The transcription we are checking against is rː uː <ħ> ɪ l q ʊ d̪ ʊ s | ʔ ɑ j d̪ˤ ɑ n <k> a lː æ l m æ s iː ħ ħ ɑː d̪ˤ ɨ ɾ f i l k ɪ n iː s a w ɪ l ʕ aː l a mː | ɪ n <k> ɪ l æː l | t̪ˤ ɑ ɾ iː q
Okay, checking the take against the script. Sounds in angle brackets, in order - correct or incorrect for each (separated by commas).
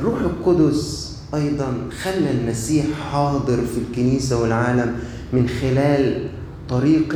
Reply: correct, incorrect, incorrect